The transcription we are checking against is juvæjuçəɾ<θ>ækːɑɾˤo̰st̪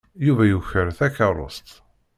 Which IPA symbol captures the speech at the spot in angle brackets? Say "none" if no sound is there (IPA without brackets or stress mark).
θ